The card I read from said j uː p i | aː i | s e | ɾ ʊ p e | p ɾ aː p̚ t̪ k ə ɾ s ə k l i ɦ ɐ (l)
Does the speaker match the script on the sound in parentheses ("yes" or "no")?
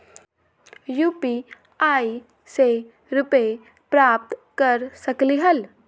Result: yes